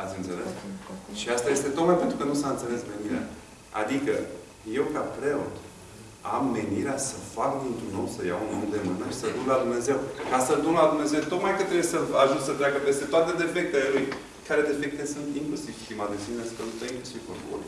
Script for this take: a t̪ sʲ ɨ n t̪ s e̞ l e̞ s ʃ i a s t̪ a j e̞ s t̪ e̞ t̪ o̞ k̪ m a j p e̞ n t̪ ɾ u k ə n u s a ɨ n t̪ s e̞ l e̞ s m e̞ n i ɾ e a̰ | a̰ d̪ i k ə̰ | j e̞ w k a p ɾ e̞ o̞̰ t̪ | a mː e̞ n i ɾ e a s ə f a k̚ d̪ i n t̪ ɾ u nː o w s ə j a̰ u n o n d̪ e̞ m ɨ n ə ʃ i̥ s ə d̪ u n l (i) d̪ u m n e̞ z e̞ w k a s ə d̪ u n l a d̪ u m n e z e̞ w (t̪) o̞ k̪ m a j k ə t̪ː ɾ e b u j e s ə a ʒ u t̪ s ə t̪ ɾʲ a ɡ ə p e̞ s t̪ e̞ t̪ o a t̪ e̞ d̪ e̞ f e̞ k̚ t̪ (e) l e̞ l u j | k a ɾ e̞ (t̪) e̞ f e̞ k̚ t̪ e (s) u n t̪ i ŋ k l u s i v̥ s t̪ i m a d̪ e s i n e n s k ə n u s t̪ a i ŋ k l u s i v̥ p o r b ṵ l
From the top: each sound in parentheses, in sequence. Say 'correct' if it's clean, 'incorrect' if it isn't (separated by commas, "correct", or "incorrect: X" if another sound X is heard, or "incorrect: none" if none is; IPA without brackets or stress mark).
incorrect: a, correct, correct, incorrect: d̪, correct